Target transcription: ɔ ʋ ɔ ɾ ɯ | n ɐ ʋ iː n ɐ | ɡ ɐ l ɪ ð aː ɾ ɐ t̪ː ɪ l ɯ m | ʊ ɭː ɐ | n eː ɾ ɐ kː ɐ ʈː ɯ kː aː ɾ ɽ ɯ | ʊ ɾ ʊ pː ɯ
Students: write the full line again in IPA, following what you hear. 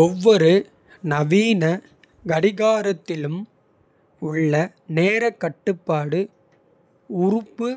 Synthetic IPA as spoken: ɔ ʋː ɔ ɾ ɯ | n ɐ ʋ iː n ɐ | ɡ ɐ ɽ ɪ ɣ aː ɾ ɐ t̪ː ɪ l ɯ m | ʊ ɭː ɐ | n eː ɾ ɐ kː ɐ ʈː ɯ pː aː ɽ ɯ | ʊ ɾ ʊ pː ɯ